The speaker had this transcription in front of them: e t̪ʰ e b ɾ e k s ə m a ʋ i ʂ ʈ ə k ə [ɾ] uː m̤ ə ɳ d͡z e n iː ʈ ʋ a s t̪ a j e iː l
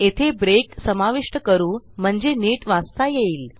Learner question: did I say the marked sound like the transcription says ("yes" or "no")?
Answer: yes